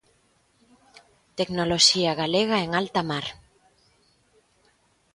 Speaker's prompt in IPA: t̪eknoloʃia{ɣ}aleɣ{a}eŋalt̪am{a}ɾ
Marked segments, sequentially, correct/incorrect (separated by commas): correct, correct, correct